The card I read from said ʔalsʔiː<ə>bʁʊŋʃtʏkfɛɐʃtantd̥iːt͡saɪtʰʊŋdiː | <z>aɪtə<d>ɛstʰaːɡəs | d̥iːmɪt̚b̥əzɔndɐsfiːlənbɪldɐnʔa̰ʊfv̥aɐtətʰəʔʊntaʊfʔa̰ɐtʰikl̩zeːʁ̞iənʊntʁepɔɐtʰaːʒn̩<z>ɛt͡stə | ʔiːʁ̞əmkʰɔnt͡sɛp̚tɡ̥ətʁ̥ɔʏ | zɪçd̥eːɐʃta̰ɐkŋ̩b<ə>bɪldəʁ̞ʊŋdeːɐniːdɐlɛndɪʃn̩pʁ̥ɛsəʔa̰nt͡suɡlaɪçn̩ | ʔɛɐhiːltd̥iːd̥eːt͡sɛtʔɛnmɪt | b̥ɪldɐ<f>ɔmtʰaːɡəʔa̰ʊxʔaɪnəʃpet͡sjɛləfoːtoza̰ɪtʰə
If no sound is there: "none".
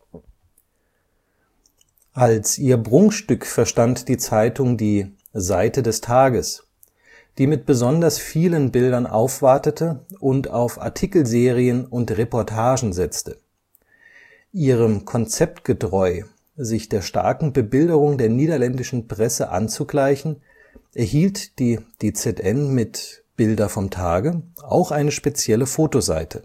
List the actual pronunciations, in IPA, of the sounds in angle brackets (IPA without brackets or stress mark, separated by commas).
ɐ, z, d, z, ə, f